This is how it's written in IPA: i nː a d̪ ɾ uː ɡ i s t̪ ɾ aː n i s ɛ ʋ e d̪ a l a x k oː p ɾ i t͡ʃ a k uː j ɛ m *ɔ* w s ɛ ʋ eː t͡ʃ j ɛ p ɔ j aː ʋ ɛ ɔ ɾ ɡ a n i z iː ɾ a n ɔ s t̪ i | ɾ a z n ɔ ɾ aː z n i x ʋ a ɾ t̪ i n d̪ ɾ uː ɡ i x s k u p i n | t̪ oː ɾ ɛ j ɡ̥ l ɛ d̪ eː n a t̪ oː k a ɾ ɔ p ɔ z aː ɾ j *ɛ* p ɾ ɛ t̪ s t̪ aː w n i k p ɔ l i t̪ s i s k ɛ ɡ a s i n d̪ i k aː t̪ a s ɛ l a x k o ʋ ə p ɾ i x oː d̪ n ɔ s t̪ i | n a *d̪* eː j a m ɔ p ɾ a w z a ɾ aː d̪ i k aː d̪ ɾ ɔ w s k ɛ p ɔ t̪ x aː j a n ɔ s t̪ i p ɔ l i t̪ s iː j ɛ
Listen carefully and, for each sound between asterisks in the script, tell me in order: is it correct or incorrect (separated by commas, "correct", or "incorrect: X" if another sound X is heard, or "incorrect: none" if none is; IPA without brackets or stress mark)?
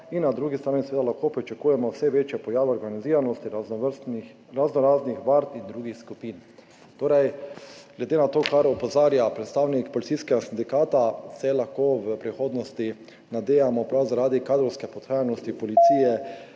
correct, incorrect: a, correct